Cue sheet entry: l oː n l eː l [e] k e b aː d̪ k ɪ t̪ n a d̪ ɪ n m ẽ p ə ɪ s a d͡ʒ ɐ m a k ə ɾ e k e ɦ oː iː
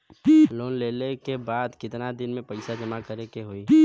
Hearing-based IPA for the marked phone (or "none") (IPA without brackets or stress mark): e